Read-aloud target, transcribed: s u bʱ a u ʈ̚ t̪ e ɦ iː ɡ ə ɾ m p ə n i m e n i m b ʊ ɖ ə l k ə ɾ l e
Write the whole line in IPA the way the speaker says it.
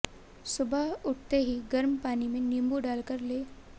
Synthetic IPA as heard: s u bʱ a u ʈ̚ t̪ e ɦ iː ɡ ə ɾ m p a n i m e n i m b u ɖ a l k ə ɾ l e